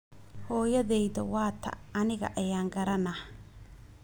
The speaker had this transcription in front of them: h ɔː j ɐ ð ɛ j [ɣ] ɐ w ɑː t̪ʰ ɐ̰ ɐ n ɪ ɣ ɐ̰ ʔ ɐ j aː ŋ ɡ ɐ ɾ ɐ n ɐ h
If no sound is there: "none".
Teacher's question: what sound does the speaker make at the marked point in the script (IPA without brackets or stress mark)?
ð